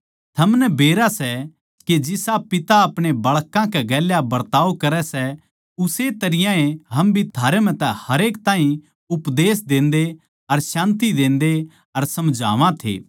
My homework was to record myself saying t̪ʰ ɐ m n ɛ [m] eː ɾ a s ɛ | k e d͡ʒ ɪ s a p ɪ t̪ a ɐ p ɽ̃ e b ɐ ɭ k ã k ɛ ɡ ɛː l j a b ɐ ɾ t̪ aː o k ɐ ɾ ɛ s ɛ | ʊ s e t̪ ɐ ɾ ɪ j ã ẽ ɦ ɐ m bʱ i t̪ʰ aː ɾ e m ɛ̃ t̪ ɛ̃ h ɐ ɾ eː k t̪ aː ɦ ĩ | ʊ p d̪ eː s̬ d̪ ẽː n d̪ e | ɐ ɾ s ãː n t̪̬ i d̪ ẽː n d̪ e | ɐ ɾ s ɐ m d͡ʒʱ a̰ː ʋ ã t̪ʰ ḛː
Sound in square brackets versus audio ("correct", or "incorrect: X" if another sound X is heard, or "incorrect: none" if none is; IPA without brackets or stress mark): incorrect: b